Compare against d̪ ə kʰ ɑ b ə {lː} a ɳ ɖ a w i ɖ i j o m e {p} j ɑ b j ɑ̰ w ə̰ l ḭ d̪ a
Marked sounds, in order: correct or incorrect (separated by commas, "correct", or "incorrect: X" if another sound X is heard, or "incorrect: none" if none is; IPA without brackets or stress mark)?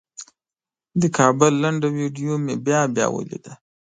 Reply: correct, incorrect: b